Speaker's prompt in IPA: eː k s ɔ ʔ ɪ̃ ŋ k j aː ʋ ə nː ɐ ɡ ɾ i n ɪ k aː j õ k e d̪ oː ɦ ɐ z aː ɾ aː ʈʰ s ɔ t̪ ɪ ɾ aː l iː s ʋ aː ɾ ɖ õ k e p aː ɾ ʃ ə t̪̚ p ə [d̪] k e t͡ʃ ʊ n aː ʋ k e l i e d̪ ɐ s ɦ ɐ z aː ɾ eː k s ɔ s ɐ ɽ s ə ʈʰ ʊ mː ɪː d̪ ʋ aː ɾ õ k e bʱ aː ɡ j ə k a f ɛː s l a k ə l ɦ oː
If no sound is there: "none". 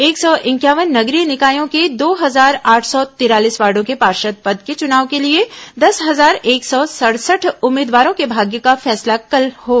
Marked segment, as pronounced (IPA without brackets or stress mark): d̪